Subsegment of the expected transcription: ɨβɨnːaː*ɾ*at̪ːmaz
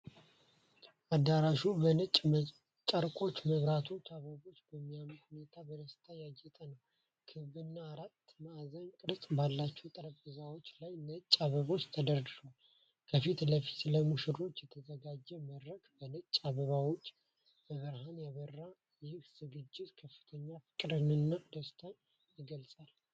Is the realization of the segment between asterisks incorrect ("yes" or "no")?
no